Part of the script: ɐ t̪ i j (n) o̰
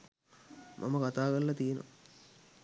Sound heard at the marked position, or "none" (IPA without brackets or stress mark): n